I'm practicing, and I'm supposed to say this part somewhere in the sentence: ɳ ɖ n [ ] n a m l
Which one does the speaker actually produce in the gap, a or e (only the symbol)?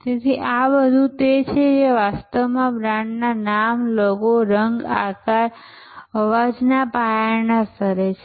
a